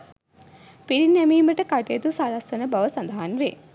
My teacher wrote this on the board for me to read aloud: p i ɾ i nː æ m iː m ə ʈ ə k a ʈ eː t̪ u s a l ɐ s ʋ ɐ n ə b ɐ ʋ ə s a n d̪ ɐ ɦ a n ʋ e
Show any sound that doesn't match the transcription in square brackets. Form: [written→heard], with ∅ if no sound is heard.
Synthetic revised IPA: p i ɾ i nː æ m iː m ə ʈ ə k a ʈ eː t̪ u s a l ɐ s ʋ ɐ n ə b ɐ ʋ ə s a n d̪ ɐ ɦ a n ʋ e